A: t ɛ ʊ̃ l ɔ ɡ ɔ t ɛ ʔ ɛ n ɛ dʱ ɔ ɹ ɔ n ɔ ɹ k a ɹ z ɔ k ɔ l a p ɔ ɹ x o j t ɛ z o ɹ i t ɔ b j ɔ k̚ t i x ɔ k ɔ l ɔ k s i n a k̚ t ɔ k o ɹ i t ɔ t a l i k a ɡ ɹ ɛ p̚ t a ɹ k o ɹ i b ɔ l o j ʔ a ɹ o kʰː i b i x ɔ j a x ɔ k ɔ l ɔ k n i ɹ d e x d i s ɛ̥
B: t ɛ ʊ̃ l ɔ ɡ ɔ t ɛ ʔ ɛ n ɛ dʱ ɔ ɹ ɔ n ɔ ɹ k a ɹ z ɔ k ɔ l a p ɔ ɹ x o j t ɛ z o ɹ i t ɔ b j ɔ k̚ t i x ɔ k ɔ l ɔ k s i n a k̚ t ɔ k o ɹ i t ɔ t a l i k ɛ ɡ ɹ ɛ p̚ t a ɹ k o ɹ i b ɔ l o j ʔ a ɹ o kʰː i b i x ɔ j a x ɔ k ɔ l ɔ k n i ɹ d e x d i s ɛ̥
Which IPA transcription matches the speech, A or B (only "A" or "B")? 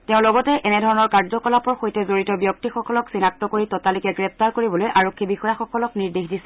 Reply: B